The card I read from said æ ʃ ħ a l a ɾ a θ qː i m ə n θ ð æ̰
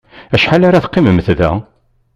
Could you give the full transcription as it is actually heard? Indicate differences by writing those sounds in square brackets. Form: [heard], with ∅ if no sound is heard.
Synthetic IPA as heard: æ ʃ ħ a l a ɾ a θ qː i m ə [m] θ ð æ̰